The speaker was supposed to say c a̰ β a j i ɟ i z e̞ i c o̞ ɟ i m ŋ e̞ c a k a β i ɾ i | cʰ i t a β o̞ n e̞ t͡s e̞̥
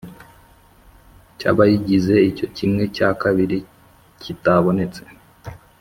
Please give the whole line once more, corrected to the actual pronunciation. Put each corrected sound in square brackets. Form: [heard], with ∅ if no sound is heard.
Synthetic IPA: c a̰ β a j i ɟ i z e̞ i c o̞ [c] i m ŋ e̞ c a k a β i ɾ i | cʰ i t a β o̞ n e̞ t͡s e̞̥